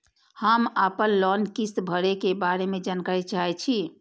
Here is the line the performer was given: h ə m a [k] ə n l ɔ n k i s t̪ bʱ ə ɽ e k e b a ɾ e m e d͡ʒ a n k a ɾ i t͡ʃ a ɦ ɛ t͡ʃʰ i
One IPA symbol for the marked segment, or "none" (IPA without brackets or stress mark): p